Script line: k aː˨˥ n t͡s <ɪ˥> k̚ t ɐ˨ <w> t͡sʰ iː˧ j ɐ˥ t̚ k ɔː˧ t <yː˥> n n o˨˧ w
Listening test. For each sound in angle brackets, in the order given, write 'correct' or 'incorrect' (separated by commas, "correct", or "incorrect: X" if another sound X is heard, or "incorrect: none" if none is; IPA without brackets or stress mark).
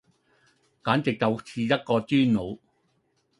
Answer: incorrect: ɪ˨, correct, correct